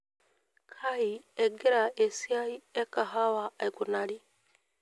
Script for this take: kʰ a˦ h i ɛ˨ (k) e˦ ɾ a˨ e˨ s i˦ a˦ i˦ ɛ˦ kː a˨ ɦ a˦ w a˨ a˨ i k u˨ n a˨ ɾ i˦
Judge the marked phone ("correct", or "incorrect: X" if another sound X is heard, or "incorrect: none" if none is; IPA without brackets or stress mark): incorrect: ɡ